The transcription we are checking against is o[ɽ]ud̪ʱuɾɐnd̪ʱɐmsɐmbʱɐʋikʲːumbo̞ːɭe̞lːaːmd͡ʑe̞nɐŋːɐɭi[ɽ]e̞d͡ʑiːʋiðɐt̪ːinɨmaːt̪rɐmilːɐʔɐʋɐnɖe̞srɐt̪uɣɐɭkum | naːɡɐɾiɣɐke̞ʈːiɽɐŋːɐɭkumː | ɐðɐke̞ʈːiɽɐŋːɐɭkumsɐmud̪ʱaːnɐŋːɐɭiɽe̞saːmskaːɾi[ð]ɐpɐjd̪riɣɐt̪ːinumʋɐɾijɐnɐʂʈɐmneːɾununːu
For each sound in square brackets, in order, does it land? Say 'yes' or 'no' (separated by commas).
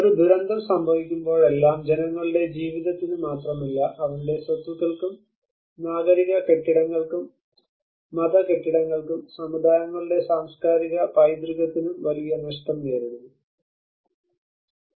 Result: no, yes, no